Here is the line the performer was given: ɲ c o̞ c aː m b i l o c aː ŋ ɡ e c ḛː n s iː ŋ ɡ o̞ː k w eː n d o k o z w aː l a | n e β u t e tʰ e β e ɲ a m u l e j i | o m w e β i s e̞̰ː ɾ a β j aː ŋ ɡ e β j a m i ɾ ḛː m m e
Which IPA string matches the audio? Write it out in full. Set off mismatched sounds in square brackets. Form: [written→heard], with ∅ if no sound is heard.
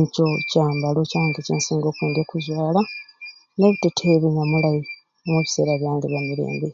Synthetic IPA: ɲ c o̞ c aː m b [i→a] l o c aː ŋ ɡ e c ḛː n s iː ŋ ɡ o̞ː k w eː n d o k [o→u] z w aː l a | n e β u t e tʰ e β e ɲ a m u l [e→a] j i | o m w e β i s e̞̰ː ɾ a β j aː ŋ ɡ e β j a m i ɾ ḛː m [m→b] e

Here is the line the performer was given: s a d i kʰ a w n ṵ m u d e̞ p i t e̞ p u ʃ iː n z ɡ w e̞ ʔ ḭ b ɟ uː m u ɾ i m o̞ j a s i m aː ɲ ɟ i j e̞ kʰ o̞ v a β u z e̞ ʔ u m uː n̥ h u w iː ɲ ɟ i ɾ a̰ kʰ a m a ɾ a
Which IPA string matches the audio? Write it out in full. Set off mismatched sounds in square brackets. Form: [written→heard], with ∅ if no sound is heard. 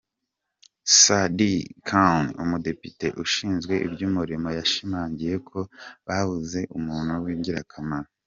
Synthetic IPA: s a d i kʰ a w n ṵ m u d e̞ p i t e̞ [p→ʔ] u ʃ iː n z ɡ w e̞ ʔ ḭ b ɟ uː m u ɾ i m o̞ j a [s→ʃ] i m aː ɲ ɟ i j e̞ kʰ o̞ [v→β] a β u z e̞ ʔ u m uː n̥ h u w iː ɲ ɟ i ɾ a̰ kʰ a m a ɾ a

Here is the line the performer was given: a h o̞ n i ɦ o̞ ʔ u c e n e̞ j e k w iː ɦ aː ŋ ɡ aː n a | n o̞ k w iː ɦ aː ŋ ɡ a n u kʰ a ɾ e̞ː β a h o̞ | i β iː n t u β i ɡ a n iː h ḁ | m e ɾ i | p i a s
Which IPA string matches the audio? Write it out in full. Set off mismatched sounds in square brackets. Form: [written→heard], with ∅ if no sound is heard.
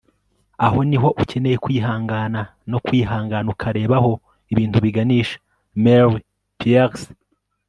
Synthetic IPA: a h o̞ n i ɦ o̞ ʔ u c e n e̞ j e k w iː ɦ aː ŋ ɡ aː n a | n o̞ k w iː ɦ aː ŋ ɡ a n u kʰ a ɾ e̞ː β a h o̞ | i β iː n t u β i ɡ a n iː [h→ʃ] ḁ | m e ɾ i | p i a s

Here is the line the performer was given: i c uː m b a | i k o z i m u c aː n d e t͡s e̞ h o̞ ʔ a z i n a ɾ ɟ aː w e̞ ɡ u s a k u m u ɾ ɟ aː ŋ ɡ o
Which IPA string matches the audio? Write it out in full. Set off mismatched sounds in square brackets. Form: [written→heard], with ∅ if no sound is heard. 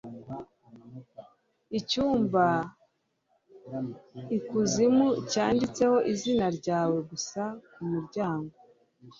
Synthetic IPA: i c uː m b a | i k [o→u] z i m u c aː n d [e→i] t͡s e̞ h o̞ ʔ [a→i] z i n a ɾ ɟ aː w e̞ ɡ u s a k u m u ɾ ɟ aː ŋ ɡ o

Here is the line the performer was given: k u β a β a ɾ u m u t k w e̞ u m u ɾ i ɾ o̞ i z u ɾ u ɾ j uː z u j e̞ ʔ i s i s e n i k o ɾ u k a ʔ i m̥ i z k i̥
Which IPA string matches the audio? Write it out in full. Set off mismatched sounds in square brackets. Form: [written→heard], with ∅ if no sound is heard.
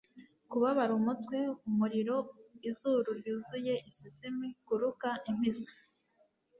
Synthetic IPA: k u β a β a ɾ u m u t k w e̞ u m u ɾ i ɾ o̞ i z u ɾ u ɾ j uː z u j e̞ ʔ i s i s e [n→m] i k [o→u] ɾ u k a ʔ i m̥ i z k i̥

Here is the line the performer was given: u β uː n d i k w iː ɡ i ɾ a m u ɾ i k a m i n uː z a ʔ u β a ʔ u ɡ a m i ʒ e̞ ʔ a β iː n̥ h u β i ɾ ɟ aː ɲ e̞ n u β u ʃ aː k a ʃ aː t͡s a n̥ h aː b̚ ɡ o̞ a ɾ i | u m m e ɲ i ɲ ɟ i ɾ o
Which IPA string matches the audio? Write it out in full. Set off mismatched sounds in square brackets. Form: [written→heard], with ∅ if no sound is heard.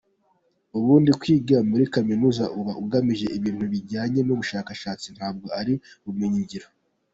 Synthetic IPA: u β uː n d i k w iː ɡ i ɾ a m u ɾ i k a m i n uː z a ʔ u β a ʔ u ɡ a m i ʒ e̞ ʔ [a→i] β iː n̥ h u β i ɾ ɟ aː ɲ e̞ n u β u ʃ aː k a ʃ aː t͡s [a→i] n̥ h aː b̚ ɡ o̞ a ɾ i | u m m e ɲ i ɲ ɟ i ɾ o

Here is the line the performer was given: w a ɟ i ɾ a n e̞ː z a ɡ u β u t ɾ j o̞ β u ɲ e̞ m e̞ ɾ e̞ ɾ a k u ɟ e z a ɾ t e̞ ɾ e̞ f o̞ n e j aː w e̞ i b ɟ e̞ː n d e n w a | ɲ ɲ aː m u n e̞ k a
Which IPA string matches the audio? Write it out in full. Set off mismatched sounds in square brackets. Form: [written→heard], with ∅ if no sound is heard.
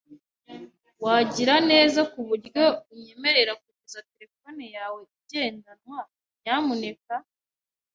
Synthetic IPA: w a ɟ i ɾ a n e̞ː z a [ɡ→k] u β u [t→∅] ɾ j o̞ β u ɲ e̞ m e̞ ɾ e̞ ɾ a k u ɟ e z a [ɾ→∅] t e̞ ɾ e̞ f o̞ n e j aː w e̞ i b ɟ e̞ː n d [e→a] n w a | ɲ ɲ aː m u n e̞ k a

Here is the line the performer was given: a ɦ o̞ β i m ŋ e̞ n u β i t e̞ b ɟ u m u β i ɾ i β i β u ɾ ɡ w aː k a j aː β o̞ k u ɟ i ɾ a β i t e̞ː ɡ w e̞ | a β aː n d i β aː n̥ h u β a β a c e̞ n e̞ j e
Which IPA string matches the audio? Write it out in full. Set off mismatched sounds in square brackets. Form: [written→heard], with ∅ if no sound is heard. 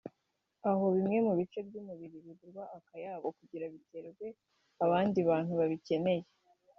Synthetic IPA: a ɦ o̞ β i m ŋ e̞ [n→m] u β i [t→t͡ʃ] e̞ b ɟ u m u β i ɾ i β i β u ɾ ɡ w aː k a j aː β o̞ k u ɟ i ɾ a β i t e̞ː ɡ w e̞ | a β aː n d i β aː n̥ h u β a β [a→i] c e̞ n e̞ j e

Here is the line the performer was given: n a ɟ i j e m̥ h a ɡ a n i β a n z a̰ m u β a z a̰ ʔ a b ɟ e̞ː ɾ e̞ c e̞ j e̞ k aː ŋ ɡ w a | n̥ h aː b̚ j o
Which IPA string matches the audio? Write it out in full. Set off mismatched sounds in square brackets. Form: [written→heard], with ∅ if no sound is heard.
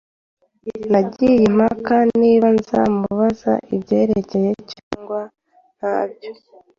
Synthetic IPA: n a ɟ i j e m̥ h a [ɡ→k] a n i β a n z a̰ m u β a z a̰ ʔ [a→i] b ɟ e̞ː ɾ e̞ c e̞ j e̞ [k→c] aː ŋ ɡ w a | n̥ h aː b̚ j o

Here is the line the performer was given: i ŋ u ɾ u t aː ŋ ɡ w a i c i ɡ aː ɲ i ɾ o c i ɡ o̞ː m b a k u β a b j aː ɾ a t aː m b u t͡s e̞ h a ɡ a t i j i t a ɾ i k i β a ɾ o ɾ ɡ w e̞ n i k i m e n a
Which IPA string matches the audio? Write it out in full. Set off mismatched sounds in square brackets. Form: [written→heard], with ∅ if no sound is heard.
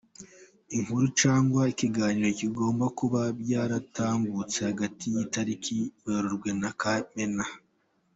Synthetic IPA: i ŋ u ɾ u [t→t͡ʃ] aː ŋ ɡ w a i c i ɡ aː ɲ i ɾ o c i ɡ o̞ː m b a k u β a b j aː ɾ a t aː m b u t͡s e̞ h a ɡ a t i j i t a ɾ i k i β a ɾ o ɾ ɡ w e̞ n [i→a] k [i→a] m e n a

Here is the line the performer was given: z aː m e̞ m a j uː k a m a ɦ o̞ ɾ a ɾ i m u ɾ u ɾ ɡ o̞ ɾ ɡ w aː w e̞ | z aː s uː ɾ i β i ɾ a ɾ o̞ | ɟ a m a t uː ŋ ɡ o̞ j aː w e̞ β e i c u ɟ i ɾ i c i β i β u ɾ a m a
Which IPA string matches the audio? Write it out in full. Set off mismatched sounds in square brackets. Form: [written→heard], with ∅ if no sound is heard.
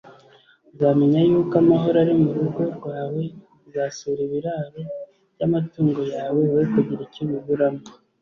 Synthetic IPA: z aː m e̞ [m→ɲ] a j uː k a m a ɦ o̞ ɾ a ɾ i m u ɾ u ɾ ɡ o̞ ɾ ɡ w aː w e̞ | z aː s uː ɾ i β i ɾ a ɾ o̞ | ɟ a m a t uː ŋ ɡ o̞ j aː w e̞ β e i [c→k] u ɟ i ɾ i c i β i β u ɾ a m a

